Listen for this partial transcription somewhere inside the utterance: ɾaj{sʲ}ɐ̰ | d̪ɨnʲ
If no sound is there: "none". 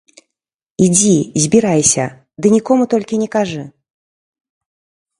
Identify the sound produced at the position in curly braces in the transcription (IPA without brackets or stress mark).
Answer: sʲ